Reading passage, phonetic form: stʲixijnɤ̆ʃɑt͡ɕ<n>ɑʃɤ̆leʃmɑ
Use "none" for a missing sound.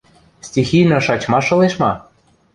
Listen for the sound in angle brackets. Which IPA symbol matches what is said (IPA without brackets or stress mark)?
m